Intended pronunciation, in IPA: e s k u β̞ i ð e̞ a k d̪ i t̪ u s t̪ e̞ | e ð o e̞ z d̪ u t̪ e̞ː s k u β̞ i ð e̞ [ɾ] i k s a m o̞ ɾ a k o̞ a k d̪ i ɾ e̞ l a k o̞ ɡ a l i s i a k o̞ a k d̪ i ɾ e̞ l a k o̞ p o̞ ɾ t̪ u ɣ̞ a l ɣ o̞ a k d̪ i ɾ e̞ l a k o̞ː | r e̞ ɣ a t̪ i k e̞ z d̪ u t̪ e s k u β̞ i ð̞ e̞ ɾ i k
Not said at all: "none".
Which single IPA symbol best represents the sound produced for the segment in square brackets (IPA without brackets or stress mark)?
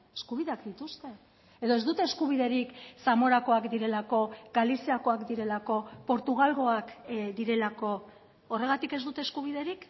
ɾ